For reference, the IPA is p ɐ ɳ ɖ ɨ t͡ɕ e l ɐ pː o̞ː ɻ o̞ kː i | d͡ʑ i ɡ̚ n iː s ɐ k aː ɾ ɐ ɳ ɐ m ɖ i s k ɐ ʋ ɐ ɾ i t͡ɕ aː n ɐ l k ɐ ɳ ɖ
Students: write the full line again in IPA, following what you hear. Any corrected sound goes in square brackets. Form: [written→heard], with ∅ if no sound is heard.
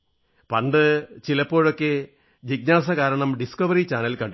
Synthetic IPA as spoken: p ɐ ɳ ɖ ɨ t͡ɕ [e→i] l ɐ pː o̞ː ɻ o̞ kː [i→e] | d͡ʑ i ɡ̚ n [iː→aː] s ɐ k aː ɾ ɐ ɳ ɐ m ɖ i s k ɐ ʋ ɐ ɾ i t͡ɕ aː n ɐ l k ɐ ɳ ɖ